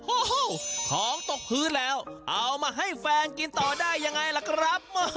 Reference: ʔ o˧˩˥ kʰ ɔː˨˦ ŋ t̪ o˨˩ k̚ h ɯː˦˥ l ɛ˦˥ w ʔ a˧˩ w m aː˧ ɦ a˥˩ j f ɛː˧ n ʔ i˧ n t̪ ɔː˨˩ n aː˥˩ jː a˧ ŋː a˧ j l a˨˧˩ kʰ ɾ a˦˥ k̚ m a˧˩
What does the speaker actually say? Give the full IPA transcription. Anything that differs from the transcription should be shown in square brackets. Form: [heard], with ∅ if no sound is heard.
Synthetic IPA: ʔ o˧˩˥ kʰ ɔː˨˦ ŋ t̪ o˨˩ k̚ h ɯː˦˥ l [ɛː˦˥] w ʔ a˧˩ w m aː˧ ɦ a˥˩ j f ɛː˧ n [k] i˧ n t̪ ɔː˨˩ [d] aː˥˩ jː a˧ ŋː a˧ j l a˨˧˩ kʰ ɾ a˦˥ [p̚] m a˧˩